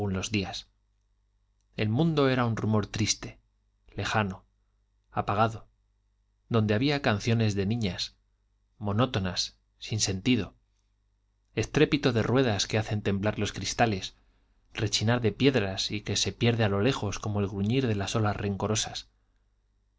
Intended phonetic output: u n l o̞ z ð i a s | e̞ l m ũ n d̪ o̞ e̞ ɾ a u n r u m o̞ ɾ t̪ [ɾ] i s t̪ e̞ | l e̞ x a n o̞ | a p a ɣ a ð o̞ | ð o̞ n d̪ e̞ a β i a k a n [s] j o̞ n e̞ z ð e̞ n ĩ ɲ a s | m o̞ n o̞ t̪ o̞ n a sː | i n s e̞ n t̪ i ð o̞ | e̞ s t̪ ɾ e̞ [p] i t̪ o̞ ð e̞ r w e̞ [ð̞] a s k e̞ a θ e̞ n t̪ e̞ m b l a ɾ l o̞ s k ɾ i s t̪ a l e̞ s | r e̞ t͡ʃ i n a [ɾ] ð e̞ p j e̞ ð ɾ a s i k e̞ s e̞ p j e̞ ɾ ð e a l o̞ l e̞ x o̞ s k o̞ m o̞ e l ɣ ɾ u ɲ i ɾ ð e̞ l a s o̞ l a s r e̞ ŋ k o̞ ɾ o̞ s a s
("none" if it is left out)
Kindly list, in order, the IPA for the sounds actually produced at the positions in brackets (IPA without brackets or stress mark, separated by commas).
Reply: ɾ, θ, p, ð̞, ɾ